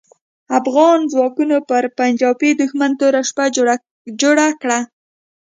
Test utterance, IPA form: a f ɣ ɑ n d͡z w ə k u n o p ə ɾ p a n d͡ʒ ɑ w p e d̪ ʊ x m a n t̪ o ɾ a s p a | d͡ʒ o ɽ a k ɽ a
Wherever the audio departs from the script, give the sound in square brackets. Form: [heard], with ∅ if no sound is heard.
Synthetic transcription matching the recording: a f ɣ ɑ n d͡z w [ɑ] k u n o p ə ɾ p a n d͡ʒ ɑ w p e d̪ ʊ x m a n t̪ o ɾ a [ʃ] p a | d͡ʒ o ɽ a k ɽ a